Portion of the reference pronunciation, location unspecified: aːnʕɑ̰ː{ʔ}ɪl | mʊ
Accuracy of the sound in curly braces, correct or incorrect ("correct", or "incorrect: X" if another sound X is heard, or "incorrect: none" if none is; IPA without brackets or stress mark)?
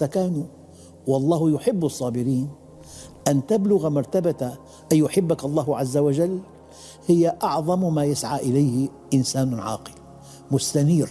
incorrect: q